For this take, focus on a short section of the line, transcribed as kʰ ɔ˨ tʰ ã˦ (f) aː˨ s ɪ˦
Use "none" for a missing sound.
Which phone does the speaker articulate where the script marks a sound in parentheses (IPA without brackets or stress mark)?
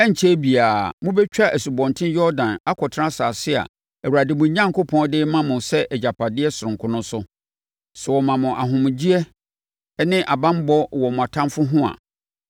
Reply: s